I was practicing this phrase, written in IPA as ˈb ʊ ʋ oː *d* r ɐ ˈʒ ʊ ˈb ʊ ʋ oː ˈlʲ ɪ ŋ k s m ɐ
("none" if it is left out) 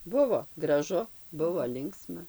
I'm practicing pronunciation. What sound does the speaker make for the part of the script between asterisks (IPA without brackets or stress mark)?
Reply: ɡ